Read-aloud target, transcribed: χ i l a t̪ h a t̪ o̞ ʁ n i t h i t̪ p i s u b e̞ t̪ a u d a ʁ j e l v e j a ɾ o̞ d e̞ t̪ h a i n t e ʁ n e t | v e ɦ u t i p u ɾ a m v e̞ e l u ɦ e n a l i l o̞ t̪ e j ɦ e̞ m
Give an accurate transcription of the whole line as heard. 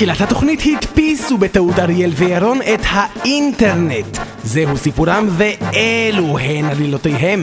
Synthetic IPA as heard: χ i l a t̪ h a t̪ o̞ χ n i t h i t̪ p i s u b e̞ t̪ a u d a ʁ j e l v e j a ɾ o̞ n e̞ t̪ h a i n t e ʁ n e t | z e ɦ u s i p u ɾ a m v e̞ e l u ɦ e n a l i l o̞ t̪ e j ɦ e̞ m